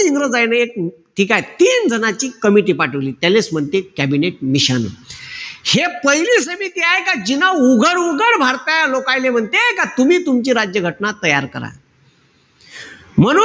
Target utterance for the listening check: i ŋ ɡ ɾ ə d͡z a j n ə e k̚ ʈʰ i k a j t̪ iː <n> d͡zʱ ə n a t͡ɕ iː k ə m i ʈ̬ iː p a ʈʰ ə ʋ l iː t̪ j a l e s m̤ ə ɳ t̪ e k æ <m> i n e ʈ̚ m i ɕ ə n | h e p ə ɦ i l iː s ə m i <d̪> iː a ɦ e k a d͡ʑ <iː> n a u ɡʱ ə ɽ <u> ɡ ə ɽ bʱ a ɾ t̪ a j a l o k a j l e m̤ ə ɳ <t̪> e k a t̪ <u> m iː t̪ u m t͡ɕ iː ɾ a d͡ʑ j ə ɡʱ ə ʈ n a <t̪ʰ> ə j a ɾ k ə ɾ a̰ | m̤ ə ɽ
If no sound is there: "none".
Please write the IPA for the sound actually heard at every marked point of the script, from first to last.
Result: n, b, t̪, i, u, t̪, u, t̪

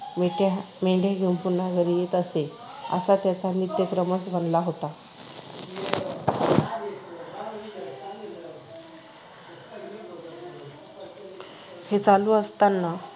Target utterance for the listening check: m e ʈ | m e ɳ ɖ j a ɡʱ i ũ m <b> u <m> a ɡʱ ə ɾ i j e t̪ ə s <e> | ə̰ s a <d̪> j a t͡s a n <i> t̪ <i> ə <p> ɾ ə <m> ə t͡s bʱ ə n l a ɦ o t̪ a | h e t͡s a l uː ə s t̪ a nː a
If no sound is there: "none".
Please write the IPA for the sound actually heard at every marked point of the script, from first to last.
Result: p, n, e, t̪, i, j, k, m

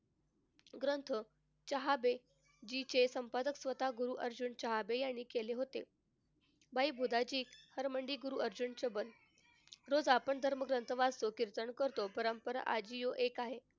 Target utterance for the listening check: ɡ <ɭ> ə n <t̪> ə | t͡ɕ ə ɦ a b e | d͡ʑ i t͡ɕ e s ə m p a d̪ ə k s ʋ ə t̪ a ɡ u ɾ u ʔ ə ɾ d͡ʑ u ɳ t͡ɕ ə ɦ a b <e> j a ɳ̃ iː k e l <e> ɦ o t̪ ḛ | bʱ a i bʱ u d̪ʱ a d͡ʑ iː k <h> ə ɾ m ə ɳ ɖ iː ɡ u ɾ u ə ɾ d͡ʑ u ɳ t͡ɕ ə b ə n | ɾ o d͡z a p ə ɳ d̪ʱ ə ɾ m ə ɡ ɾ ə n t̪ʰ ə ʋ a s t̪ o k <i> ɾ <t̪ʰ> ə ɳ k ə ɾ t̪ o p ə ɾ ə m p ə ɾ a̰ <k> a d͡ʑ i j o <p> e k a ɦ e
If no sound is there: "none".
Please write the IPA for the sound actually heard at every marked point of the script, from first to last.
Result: ɾ, t̪ʰ, e, e, h, i, t̪, ʔ, ʔ

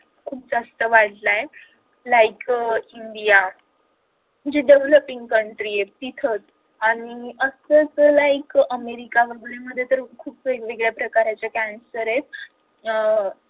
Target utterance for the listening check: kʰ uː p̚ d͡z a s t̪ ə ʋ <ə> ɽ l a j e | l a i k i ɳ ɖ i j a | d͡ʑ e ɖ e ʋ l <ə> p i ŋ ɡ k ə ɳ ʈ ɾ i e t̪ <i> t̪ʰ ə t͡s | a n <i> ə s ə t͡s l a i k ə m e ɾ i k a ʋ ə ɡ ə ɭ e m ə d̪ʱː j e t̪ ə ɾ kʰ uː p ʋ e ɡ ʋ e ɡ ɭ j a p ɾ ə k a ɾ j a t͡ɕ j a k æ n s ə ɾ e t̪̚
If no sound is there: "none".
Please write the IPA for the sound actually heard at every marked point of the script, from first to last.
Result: a, ə, i, i

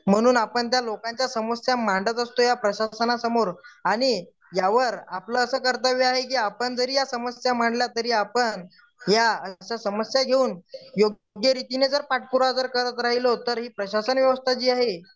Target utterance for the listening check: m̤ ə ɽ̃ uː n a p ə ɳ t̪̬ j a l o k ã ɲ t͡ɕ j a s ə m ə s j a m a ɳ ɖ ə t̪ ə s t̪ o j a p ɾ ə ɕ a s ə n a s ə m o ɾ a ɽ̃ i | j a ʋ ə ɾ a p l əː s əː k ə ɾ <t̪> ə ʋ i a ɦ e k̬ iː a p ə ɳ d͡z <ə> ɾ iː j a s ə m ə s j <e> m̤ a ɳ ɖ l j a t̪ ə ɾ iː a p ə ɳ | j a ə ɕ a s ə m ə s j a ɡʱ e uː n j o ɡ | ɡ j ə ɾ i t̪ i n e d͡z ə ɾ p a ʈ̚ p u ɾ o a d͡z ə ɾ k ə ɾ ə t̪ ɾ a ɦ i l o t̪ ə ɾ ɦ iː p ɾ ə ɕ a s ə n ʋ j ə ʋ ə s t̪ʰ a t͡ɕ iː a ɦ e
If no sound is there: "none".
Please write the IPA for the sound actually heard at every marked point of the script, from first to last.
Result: t̪, ə, a

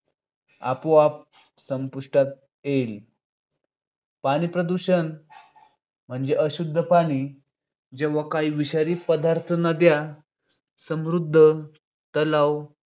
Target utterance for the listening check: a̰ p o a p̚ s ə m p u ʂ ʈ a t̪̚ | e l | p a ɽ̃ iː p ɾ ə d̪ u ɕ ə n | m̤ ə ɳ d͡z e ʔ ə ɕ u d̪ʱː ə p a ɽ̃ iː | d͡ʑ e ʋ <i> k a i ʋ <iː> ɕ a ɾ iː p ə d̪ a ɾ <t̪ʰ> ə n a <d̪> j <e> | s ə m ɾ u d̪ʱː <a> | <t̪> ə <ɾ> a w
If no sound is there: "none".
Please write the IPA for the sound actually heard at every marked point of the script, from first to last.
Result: a, i, t̪ʰ, d̪, a, ə, t̪, l

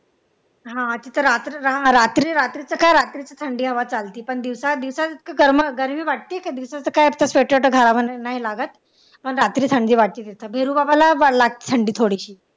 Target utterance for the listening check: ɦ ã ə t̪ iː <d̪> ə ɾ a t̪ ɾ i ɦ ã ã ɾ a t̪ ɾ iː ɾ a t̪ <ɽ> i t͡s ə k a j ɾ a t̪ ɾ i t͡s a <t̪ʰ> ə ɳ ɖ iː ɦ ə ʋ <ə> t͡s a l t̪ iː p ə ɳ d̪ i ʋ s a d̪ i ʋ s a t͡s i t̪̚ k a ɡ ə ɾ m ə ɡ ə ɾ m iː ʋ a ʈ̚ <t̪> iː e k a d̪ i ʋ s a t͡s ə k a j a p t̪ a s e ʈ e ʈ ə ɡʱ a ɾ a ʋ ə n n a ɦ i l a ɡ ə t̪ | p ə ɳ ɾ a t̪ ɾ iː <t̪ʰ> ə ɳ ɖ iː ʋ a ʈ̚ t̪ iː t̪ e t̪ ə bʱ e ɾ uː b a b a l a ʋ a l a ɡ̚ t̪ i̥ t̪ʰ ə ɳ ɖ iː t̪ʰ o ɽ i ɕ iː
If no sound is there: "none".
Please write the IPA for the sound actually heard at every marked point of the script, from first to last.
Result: t̪, ɾ, t̪ʰ, a, t̪, t̪ʰ

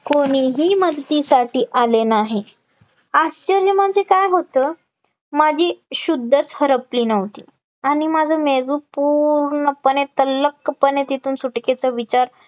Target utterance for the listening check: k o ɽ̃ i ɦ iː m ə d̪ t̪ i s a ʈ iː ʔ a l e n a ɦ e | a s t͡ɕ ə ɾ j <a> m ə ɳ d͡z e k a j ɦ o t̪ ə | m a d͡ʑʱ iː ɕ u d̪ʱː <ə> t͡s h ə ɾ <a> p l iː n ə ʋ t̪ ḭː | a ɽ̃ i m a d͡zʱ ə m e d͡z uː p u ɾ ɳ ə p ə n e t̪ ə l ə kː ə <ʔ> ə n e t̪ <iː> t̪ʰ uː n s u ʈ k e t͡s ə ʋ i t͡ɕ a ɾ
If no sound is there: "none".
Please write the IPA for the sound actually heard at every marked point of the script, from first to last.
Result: ə, ə, ə, p, i

